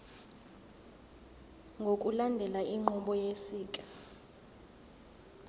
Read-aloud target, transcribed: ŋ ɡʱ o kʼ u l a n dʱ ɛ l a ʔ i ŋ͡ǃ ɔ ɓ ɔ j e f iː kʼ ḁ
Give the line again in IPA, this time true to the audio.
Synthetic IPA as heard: ŋ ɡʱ o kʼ u l a n dʱ ɛ l a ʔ i ŋ͡ǃ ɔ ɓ ɔ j e s iː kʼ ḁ